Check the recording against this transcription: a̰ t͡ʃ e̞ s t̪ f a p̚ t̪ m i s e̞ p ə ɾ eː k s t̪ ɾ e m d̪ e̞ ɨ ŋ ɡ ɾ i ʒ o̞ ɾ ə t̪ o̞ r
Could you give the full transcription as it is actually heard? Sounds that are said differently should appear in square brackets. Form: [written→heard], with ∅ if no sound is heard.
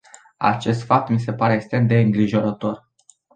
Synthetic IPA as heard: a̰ t͡ʃ e̞ s t̪ f a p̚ t̪ m i s e̞ p [ə→a] ɾ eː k s t̪ ɾ e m d̪ e̞ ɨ ŋ ɡ ɾ i ʒ o̞ ɾ ə t̪ o̞ r